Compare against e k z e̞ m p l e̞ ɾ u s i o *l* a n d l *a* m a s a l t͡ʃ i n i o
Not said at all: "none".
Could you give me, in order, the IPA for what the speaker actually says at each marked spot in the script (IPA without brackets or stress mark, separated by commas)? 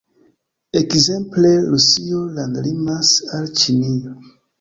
l, i